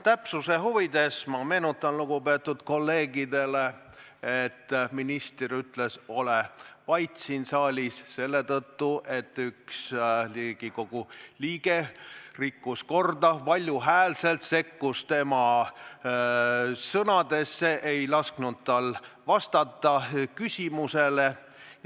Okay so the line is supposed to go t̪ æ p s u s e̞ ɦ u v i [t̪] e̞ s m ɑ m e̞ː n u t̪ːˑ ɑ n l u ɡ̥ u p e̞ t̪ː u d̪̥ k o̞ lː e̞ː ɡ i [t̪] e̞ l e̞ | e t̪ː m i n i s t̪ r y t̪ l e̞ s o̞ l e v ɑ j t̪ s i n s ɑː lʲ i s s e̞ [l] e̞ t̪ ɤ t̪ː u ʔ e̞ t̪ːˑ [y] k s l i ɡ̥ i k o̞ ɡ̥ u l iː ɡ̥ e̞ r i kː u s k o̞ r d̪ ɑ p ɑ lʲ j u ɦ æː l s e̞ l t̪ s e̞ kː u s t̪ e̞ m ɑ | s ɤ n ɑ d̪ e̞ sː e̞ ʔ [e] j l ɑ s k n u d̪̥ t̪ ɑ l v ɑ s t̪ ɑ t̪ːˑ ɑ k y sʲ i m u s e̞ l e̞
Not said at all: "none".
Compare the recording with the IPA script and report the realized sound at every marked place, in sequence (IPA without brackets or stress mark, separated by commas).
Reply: d̪, d̪, lː, y, e